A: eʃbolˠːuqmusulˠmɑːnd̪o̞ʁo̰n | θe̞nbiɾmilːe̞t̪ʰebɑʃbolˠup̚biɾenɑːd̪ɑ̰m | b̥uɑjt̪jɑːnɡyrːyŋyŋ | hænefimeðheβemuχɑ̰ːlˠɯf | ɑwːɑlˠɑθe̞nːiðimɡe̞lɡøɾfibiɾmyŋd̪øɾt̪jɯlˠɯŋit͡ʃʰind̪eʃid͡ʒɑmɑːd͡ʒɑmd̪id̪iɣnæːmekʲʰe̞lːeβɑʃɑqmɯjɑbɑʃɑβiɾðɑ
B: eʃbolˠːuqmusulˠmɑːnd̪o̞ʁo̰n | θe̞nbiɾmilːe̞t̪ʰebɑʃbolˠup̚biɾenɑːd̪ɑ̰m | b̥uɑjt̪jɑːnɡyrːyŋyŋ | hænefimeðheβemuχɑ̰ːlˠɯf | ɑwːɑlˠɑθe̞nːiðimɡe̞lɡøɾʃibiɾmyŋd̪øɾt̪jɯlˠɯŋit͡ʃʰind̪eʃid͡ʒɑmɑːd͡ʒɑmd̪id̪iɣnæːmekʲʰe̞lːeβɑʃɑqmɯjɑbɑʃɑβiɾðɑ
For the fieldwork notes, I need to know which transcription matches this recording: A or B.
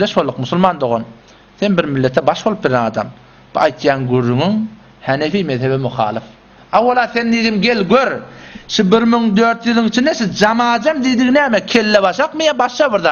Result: B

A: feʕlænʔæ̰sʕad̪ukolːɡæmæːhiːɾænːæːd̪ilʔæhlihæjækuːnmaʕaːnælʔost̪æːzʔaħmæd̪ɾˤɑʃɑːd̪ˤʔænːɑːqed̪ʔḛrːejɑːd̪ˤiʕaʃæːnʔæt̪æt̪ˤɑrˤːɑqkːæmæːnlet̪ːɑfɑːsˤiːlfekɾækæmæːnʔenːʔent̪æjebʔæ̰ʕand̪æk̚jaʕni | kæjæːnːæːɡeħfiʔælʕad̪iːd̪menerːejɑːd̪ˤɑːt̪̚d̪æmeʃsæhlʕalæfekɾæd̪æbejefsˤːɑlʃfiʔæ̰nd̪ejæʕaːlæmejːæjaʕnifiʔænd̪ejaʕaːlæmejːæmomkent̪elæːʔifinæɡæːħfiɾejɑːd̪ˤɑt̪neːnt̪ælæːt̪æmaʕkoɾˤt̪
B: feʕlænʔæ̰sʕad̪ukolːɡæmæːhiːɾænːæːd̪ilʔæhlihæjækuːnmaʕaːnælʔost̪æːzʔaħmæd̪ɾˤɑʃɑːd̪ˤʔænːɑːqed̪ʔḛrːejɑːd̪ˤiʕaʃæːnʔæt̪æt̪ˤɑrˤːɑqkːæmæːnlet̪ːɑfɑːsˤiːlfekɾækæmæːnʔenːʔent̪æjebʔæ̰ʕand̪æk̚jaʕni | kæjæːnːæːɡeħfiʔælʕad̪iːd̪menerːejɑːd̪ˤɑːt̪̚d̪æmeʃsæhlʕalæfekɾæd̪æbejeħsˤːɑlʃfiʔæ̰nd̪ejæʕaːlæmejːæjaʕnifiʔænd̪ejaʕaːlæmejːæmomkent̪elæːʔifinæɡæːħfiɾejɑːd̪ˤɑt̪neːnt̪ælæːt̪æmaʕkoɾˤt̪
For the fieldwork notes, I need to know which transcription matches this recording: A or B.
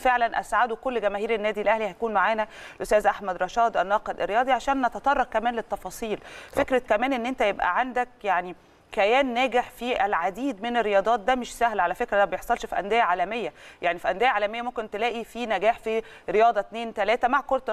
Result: B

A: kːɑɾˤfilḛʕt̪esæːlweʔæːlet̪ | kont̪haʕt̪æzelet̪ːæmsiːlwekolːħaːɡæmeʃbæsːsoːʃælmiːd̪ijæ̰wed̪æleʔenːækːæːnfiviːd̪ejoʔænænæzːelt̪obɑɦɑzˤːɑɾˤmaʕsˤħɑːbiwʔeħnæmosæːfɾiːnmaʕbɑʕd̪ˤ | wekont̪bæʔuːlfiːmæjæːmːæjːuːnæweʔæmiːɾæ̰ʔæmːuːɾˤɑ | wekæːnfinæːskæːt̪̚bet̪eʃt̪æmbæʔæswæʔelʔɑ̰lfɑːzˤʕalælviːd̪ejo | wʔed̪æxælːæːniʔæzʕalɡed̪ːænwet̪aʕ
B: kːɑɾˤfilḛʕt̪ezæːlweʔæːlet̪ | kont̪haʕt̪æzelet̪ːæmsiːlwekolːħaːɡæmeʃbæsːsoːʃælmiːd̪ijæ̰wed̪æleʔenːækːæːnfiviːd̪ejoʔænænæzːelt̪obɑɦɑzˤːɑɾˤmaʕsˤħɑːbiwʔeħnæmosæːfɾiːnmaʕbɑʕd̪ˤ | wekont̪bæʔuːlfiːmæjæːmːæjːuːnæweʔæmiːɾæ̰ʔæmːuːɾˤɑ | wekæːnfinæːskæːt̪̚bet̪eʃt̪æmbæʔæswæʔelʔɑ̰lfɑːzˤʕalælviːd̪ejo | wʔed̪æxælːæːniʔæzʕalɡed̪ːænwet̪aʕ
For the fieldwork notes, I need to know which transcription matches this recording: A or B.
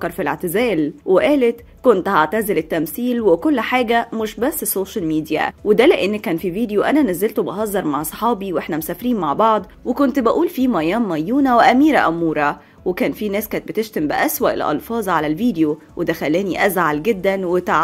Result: B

